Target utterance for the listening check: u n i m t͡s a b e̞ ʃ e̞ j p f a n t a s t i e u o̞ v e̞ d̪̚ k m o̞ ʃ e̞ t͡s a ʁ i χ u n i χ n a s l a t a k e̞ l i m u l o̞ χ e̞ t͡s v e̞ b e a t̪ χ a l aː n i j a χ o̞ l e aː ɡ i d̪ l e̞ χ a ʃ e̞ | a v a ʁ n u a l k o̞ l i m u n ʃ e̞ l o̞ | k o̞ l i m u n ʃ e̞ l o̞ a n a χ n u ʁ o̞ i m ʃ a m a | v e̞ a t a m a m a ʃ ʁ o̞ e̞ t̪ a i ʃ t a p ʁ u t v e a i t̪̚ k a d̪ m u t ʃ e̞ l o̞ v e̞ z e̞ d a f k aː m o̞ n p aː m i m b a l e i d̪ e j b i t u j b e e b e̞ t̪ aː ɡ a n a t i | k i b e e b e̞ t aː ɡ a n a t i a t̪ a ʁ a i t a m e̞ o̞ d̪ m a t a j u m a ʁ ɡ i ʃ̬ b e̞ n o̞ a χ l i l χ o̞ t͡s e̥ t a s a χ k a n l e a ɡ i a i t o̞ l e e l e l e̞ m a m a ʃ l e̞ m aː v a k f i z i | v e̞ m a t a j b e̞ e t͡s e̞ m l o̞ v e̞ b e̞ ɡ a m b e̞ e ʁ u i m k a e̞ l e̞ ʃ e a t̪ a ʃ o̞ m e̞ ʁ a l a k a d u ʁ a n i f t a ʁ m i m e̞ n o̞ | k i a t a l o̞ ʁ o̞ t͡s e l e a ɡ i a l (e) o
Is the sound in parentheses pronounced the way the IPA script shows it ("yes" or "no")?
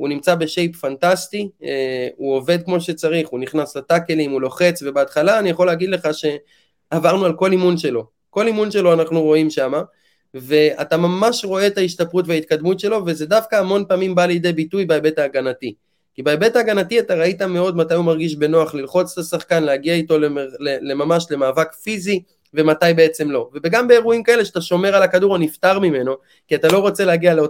yes